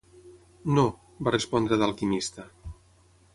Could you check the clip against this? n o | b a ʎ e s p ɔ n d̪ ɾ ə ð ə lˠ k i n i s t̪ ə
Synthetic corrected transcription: n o | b a r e s p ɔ n d̪ ɾ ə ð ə lˠ k i m i s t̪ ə